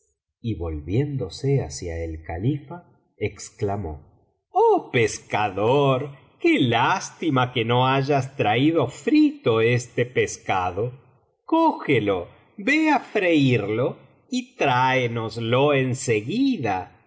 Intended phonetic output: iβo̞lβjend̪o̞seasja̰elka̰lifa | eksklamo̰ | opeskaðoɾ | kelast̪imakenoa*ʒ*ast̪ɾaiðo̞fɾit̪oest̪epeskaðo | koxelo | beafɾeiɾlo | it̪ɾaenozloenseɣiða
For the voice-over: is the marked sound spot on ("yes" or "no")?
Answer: yes